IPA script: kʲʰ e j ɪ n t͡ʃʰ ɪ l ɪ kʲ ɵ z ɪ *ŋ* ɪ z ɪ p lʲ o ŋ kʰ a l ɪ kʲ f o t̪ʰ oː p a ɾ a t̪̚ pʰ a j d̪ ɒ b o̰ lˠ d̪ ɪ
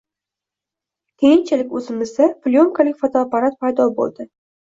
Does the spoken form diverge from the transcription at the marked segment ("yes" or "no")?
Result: yes